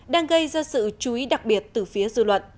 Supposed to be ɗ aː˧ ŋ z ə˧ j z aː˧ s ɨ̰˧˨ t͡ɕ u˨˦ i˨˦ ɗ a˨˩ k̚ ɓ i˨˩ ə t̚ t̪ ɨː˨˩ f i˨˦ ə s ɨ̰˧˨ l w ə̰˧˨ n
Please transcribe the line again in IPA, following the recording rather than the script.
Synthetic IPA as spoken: ɗ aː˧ ŋ ɣ ə˧ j z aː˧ s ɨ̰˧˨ t͡ɕ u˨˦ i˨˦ ɗ a˨˩ k̚ ɓ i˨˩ ə t̚ t̪ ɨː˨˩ f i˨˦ ə z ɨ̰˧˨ l w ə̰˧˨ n